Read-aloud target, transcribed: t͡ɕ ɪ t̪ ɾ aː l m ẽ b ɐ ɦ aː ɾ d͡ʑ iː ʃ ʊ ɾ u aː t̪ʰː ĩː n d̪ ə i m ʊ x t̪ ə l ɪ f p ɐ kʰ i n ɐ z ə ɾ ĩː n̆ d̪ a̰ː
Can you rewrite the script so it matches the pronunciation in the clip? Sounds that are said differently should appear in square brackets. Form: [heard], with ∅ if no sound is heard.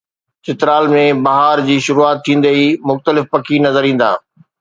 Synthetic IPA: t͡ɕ ɪ t̪ ɾ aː l m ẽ b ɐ ɦ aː ɾ d͡ʑ iː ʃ ʊ ɾ u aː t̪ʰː ĩː n d̪ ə i m ʊ x t̪ ə l ɪ f p ɐ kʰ i n ɐ z ə ɾ ĩː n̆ d̪ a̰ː